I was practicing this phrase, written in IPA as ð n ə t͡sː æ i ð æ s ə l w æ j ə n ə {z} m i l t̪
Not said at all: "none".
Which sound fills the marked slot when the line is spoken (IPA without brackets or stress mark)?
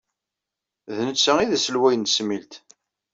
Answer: s